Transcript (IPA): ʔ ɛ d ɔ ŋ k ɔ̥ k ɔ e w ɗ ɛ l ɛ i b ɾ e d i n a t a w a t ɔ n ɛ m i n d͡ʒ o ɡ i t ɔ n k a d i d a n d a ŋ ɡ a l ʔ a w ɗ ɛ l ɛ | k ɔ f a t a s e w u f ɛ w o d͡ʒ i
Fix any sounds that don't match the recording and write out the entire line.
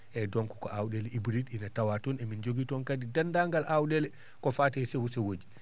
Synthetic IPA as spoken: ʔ ɛ d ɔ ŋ k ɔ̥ k ɔ a w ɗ ɛ l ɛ i b ɾ i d i n a t a w a t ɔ n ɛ m i n d͡ʒ o ɡ i t ɔ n k a d i d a n d a ŋ ɡ a l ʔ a w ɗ ɛ l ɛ | k ɔ f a t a s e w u s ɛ w o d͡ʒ i